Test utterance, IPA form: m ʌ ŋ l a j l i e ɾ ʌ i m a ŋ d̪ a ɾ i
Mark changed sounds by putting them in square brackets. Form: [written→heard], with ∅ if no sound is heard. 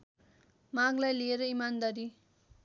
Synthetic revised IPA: m [ʌ→a] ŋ l a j l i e ɾ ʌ i m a [ŋ→n] d̪ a ɾ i